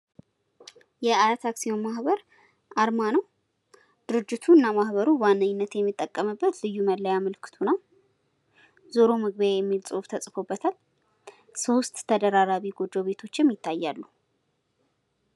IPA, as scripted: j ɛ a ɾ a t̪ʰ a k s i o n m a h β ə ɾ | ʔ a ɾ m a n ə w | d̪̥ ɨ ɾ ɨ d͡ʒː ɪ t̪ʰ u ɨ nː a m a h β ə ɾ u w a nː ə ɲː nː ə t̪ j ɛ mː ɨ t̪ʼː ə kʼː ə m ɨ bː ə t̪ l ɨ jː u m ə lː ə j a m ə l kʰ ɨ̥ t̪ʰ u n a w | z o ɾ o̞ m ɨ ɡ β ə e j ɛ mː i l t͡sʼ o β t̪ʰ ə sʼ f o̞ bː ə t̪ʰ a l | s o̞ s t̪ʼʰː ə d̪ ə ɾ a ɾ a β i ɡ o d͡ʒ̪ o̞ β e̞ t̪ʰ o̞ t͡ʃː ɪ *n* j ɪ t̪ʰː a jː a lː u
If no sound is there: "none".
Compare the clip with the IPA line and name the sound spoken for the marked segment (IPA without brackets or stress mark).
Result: m